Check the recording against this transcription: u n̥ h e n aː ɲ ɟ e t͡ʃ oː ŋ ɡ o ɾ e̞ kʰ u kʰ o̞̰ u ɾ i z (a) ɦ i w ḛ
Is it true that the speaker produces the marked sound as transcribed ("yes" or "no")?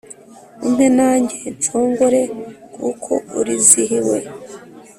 no